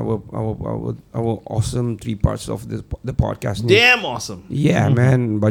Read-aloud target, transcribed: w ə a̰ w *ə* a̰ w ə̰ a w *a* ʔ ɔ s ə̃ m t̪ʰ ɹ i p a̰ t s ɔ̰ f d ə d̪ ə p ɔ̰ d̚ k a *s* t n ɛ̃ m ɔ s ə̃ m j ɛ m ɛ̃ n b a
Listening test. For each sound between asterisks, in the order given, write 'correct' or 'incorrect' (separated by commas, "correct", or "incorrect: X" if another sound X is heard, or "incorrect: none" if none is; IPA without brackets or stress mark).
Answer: correct, incorrect: ə, correct